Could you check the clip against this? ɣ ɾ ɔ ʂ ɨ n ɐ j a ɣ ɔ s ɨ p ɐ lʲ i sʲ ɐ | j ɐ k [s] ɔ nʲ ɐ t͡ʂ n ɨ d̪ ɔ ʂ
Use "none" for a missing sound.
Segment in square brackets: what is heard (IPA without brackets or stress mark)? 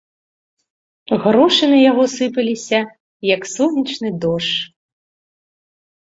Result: s